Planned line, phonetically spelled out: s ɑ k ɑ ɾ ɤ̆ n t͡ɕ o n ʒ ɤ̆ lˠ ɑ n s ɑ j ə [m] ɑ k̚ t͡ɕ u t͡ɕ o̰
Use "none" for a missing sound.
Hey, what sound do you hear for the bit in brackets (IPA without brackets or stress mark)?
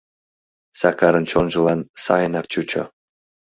n